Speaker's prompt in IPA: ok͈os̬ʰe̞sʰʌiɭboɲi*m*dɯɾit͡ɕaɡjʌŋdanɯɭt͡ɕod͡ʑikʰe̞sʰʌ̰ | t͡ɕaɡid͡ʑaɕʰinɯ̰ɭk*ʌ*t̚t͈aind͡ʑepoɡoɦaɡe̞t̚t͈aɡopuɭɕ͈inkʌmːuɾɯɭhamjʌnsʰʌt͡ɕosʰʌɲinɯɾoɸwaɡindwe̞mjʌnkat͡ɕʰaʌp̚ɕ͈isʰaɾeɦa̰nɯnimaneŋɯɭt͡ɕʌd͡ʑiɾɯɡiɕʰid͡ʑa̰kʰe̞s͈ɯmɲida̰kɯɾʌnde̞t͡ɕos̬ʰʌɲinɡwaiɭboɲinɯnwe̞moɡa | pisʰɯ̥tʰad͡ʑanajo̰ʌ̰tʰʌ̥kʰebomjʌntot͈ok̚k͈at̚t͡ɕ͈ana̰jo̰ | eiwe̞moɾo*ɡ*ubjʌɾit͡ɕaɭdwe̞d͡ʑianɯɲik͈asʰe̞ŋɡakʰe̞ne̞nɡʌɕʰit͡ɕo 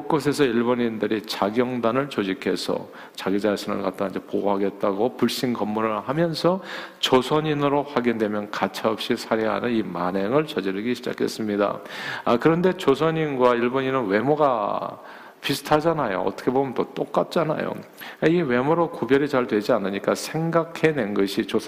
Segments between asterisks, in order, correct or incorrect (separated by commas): incorrect, incorrect, incorrect